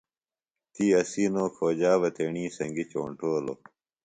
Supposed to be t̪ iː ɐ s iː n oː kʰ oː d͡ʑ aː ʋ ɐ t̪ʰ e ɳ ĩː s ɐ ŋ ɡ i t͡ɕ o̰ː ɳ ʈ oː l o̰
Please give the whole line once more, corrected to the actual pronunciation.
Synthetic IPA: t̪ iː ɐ s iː n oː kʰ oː d͡ʑ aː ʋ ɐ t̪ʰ e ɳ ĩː s ɐ ŋ ɡ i t͡ɕ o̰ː ɳ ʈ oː l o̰